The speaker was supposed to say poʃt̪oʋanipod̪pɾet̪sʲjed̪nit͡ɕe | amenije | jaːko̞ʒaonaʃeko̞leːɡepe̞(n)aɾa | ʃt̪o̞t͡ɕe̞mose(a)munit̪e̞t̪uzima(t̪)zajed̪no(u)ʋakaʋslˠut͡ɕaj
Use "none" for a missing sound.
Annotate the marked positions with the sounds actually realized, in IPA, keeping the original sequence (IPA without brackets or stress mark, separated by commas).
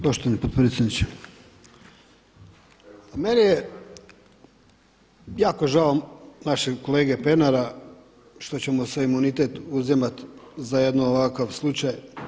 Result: n, i, t̪, o